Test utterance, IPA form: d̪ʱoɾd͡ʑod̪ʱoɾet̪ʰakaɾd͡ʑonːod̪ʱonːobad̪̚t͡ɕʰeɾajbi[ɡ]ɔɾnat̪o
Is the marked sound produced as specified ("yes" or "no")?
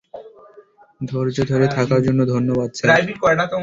no